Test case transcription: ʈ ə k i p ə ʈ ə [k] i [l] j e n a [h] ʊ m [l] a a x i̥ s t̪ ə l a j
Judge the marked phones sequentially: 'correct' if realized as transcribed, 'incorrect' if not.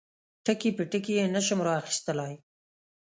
correct, incorrect, incorrect, incorrect

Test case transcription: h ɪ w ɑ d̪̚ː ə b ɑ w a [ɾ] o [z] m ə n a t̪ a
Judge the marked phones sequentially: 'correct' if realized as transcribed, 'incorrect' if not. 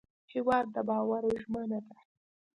correct, incorrect

